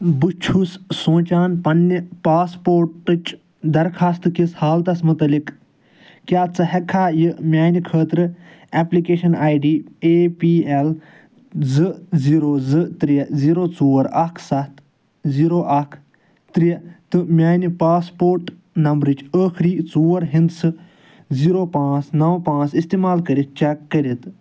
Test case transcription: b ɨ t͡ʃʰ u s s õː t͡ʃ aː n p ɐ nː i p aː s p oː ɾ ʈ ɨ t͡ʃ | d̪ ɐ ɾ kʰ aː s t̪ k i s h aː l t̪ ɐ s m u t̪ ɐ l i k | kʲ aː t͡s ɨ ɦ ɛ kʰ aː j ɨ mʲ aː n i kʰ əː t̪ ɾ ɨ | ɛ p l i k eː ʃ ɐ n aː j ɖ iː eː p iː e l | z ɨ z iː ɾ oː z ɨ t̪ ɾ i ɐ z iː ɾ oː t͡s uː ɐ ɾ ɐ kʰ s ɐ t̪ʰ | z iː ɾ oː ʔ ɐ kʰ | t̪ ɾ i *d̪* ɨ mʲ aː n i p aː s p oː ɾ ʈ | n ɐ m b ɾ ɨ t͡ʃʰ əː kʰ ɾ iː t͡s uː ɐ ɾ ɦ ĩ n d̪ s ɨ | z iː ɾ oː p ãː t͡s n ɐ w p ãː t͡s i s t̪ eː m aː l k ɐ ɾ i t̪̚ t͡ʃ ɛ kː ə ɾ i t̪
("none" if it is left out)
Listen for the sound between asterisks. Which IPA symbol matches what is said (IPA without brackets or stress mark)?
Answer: t̪